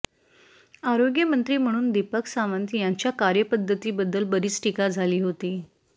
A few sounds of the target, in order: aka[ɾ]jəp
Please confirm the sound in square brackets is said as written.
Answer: yes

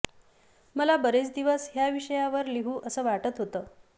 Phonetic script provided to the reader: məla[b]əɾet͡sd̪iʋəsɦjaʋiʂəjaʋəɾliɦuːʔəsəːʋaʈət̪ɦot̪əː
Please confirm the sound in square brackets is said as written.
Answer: yes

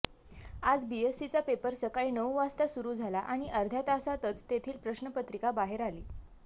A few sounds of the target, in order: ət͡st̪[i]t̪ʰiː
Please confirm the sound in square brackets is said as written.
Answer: no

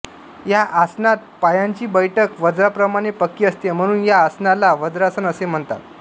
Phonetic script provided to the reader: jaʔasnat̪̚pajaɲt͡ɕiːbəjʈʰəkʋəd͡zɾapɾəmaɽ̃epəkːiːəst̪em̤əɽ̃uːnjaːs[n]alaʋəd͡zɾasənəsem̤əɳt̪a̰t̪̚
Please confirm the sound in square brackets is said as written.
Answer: yes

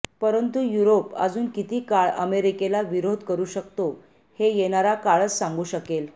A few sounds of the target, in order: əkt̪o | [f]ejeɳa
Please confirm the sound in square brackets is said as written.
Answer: no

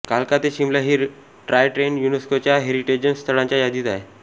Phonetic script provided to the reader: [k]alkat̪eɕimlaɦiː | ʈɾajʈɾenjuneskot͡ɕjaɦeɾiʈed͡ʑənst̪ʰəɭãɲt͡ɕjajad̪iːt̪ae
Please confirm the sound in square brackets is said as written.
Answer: yes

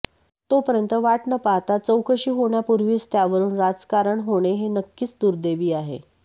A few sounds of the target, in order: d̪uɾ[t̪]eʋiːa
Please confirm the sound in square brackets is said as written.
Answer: no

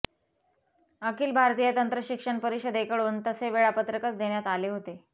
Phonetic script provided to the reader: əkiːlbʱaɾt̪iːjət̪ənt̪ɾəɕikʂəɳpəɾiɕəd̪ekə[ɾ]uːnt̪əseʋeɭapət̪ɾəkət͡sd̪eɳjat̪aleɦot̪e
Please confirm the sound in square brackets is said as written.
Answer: no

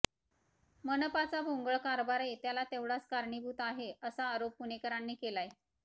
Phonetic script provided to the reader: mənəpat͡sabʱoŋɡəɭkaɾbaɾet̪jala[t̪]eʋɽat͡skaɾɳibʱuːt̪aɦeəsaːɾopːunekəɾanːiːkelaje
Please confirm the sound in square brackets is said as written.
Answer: yes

